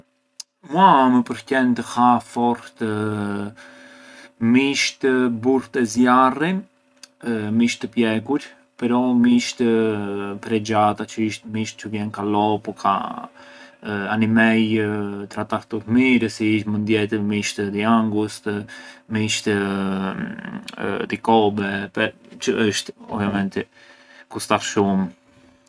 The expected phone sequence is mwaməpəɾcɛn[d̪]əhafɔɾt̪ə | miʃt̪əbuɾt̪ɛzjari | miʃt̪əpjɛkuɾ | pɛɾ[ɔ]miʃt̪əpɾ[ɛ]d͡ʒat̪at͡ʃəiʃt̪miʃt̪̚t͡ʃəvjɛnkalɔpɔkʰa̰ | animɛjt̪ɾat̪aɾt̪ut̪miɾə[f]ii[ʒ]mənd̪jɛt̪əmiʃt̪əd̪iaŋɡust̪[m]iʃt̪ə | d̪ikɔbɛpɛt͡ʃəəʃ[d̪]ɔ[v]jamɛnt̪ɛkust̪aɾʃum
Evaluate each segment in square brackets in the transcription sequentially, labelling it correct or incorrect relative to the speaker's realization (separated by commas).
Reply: incorrect, correct, correct, incorrect, incorrect, correct, incorrect, correct